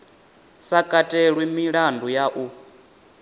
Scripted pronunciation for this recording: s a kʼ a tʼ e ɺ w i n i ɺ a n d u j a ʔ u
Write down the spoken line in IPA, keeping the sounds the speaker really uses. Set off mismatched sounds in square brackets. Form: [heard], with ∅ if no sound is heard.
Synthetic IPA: s a kʼ a tʼ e ɺ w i [m] i ɺ a n d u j a ʔ u